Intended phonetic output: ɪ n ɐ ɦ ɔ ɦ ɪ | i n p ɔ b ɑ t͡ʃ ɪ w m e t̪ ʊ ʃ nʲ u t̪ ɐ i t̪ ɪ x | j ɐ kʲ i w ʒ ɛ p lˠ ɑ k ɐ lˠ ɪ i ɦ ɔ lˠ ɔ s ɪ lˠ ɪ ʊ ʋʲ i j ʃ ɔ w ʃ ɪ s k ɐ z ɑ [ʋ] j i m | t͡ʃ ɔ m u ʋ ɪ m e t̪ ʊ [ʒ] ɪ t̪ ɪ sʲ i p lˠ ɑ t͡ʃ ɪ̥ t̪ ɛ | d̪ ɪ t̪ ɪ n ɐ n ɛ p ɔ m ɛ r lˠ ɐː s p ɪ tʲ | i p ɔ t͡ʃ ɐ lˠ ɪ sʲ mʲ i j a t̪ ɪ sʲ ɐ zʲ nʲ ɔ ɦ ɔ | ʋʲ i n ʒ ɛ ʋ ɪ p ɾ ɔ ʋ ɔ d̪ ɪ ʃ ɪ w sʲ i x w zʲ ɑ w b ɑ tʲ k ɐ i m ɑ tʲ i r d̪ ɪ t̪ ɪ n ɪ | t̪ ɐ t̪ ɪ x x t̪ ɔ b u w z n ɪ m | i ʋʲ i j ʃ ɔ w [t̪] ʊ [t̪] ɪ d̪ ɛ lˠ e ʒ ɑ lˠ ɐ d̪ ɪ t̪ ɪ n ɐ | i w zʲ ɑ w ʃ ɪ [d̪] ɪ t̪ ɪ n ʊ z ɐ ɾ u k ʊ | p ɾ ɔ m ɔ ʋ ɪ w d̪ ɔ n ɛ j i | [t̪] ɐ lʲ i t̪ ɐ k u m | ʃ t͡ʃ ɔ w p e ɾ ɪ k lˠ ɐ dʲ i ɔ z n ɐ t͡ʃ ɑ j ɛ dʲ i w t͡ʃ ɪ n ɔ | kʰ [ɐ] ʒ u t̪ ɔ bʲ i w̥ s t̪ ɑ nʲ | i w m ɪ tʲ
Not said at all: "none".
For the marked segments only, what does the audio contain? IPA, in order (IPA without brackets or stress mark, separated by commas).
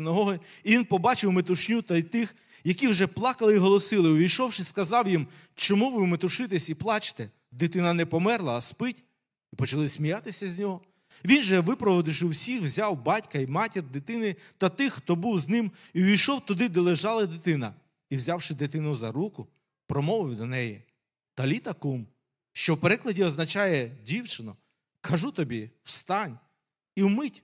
w, ʃ, t̪, d̪, d̪, t̪, ɐ